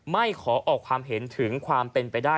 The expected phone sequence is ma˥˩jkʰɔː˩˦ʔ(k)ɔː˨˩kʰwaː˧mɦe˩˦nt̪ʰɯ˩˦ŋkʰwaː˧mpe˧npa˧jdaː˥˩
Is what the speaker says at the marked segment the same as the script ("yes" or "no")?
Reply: no